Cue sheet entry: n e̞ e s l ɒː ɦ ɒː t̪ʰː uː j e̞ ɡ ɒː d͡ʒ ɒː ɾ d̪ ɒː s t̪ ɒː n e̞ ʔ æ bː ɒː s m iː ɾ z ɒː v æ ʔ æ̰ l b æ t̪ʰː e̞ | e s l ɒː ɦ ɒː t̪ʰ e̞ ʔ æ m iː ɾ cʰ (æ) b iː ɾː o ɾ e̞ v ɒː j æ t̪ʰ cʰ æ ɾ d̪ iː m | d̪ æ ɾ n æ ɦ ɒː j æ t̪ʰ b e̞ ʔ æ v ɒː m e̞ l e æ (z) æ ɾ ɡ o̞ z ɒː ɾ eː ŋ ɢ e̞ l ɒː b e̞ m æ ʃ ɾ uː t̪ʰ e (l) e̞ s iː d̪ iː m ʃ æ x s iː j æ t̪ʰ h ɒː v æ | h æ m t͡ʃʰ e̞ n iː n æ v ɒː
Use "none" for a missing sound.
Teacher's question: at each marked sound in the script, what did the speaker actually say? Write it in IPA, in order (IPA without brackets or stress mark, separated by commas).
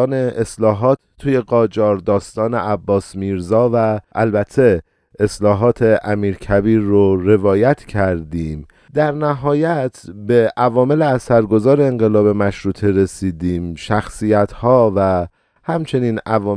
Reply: æ, s, ɾ